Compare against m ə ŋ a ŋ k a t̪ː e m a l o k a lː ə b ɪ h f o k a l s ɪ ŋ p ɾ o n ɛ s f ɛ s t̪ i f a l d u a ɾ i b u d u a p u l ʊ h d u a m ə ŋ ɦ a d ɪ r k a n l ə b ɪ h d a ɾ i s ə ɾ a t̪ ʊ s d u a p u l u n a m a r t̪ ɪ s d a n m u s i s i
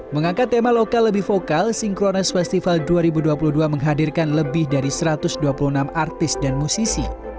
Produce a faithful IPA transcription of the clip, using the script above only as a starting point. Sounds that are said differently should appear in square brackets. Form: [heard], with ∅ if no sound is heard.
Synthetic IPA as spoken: m ə ŋ a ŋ k a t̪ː e m a l o k a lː ə b ɪ h f o k a l s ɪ ŋ [k] ɾ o n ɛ s f ɛ s t̪ i f a l d u a ɾ i b u d u a p u l [u] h d u a m ə ŋ ɦ a d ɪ r k a n l ə b ɪ h d a ɾ i s ə ɾ a t̪ ʊ s d u a p u l u n a m a r t̪ ɪ s d a n m u s i s i

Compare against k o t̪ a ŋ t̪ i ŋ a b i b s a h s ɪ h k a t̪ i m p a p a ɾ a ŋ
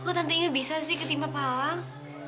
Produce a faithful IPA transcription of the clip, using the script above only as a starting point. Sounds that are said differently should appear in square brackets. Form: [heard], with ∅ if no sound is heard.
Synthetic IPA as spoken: k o t̪ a [n] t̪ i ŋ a b i [∅] s a [∅] s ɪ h k [ə] t̪ i m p a p a [l] a ŋ

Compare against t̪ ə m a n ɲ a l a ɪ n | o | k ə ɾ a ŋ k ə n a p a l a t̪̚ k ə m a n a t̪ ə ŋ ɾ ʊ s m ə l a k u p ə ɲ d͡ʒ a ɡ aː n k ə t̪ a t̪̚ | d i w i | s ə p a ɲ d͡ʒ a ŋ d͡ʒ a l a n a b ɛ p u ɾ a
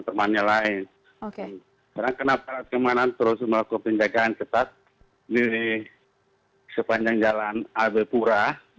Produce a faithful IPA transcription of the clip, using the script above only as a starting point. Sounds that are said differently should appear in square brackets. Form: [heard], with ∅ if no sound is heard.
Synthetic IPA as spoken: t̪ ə m a n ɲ a l a ɪ n | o | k [a] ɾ a ŋ k ə n a p a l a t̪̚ k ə m a n a t̪ ə [∅] ɾ ʊ s m ə l a k u p ə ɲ d͡ʒ a ɡ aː n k ə t̪ a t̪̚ | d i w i | s ə p a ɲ d͡ʒ a ŋ d͡ʒ a l a n a b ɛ p u ɾ a

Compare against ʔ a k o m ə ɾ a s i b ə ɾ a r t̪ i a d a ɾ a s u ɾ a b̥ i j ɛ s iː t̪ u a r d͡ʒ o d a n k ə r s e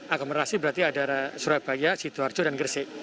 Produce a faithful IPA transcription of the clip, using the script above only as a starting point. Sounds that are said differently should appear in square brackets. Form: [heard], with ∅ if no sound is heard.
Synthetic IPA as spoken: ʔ a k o m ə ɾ a s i b ə ɾ a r t̪ i a d a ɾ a s u ɾ a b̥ [a] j [a] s [i] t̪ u a r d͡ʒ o d a n [ɡ] ə r s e

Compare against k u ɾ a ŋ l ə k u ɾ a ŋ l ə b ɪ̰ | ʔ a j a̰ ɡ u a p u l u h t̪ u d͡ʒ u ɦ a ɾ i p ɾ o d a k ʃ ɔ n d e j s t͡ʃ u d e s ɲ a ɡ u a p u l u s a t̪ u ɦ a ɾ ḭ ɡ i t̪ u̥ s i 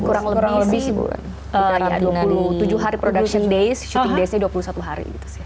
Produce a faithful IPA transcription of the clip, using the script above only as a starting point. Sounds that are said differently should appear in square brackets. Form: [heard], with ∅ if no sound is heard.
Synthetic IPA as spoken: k u ɾ a ŋ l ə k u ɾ a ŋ l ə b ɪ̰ | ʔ [ə] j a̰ [d] u a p u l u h t̪ u d͡ʒ u ɦ a ɾ i p ɾ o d a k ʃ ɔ n d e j s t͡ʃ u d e s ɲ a [d] u a p u l u s a t̪ u ɦ a ɾ ḭ ɡ i t̪ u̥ s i

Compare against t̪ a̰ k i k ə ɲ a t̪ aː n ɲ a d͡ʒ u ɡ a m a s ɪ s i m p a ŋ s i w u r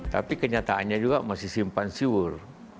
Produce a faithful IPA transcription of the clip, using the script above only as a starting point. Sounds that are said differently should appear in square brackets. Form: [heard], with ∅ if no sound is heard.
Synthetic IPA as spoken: t̪ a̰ [p] i k ə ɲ a t̪ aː n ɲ a d͡ʒ u ɡ a m a s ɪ s i m p a [n] s i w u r

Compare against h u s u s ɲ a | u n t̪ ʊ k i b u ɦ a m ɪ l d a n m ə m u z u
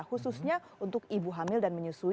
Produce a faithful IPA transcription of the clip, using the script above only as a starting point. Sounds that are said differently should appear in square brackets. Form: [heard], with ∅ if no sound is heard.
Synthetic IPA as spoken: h u s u s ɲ a | u n t̪ ʊ k i b u ɦ a m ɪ l d a n m ə [ɲ] u [s] u

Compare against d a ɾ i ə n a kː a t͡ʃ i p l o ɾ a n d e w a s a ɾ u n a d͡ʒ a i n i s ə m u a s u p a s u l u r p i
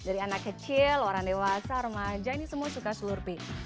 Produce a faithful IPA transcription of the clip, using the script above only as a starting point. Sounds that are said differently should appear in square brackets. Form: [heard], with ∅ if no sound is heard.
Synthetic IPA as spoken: d a ɾ i [a] n a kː [ə] t͡ʃ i [∅] l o ɾ a [ŋ] d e w a s a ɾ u [m] a d͡ʒ a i n i s ə m u a s u [k] a s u l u r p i

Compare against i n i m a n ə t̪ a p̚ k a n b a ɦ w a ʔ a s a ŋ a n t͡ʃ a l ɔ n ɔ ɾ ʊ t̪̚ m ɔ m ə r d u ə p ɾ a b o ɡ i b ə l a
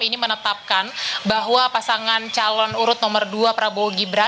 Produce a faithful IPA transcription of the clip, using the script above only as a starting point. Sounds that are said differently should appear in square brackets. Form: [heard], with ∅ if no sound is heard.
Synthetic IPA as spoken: i n i m [ə] n ə t̪ a p̚ k a n b a ɦ w a [p] a s a ŋ a n t͡ʃ a l ɔ n [u] ɾ ʊ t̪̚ [n] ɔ m ə r d u [a] p ɾ a b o ɡ i b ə [ɾ] a

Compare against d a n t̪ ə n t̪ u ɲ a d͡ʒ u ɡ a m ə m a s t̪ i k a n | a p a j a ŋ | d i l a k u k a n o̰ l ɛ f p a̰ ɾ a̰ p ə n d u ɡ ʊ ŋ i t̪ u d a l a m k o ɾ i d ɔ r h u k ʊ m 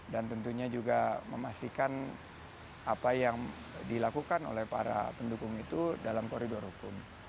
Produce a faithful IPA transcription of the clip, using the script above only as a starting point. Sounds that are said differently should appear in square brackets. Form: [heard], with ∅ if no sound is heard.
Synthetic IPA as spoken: d a n t̪ ə n t̪ u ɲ a d͡ʒ u ɡ a m ə m a s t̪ i k a n | a p a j a ŋ | d i l a k u k a n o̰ l ɛ [h] p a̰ ɾ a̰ p ə n d u [k] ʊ ŋ i t̪ u d a l a m k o ɾ i d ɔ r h u k ʊ m

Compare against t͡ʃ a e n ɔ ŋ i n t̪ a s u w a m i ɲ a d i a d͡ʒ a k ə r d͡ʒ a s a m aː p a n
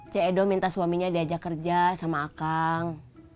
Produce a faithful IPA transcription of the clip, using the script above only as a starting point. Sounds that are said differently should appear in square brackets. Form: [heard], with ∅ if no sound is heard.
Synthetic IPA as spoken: t͡ʃ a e [d] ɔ [m] i n t̪ a s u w a m i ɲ a d i a d͡ʒ a k ə r d͡ʒ a s a m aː [k] a [ŋ]

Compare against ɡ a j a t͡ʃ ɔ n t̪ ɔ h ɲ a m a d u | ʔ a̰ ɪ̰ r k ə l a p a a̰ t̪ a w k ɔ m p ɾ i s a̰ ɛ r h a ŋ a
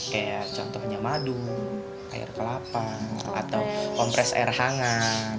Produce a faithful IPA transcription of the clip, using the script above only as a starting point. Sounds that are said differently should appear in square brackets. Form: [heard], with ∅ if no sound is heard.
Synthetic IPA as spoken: [k] a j a t͡ʃ ɔ n t̪ ɔ h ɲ a m a d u | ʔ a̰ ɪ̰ r k ə l a p a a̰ t̪ a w k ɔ m p ɾ [ɛ] s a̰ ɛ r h a ŋ a

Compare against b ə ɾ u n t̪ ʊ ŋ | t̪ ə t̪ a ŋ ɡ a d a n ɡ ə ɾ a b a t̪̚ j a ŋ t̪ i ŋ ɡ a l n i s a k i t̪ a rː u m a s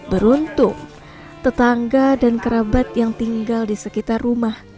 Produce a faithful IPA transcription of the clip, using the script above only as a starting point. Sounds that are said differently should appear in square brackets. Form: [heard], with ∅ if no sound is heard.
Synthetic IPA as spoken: b ə ɾ u n t̪ ʊ ŋ | t̪ ə t̪ a ŋ ɡ a d a n [k] ə ɾ a b a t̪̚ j a ŋ t̪ i ŋ ɡ a l [d] i s [ə] k i t̪ a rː u m a [h]

